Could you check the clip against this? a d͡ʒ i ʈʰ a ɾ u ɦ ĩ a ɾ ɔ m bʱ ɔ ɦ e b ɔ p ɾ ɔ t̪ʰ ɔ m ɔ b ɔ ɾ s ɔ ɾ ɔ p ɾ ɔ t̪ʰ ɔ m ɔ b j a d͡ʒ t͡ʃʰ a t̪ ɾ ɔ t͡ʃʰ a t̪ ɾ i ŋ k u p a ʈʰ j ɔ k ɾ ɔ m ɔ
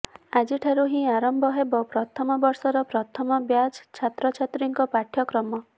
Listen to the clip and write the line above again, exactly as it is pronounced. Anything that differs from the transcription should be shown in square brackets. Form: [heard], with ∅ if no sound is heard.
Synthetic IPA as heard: a d͡ʒ i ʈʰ a ɾ u ɦ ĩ a ɾ ɔ m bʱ ɔ ɦ e b ɔ p ɾ ɔ t̪ʰ ɔ m ɔ b ɔ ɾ s ɔ ɾ ɔ p ɾ ɔ t̪ʰ ɔ m ɔ b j a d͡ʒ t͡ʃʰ a t̪ ɾ ɔ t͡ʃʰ a t̪ ɾ i ŋ k [ɔ] p a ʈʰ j ɔ k ɾ ɔ m ɔ